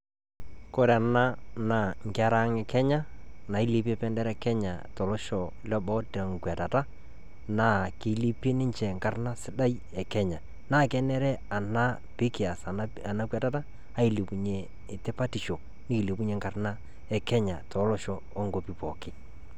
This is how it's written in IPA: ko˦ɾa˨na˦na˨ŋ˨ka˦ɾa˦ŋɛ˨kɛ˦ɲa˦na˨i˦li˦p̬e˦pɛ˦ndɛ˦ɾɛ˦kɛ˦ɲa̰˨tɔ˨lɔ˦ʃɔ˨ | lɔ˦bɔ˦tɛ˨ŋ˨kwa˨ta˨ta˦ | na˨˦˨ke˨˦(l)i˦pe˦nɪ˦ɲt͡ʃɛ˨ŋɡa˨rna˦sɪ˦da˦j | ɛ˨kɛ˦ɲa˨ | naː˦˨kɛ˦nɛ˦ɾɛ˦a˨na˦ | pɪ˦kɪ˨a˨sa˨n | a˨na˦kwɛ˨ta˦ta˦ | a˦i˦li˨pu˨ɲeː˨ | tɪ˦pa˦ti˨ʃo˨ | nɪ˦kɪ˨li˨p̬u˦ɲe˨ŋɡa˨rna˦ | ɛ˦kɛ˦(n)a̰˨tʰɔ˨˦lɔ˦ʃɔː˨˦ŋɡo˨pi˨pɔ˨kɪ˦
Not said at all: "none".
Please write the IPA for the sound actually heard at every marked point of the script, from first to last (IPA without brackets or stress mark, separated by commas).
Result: l, ɲ